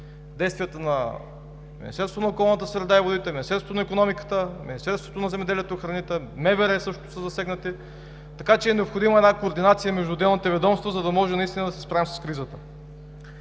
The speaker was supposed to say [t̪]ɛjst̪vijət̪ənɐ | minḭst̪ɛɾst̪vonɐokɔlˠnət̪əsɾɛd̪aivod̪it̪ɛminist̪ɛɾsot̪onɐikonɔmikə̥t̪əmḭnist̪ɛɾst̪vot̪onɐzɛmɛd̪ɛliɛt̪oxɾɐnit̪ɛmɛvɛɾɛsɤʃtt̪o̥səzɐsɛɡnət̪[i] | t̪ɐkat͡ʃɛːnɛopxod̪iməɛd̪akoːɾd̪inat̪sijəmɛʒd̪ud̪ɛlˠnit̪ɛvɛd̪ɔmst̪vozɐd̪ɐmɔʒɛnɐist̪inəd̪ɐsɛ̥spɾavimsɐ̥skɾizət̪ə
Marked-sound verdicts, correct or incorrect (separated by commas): incorrect, correct